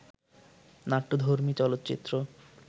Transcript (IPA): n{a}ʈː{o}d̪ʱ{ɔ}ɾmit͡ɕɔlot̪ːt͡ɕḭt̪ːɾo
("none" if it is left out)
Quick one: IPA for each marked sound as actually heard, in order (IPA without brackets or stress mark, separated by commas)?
a, o, o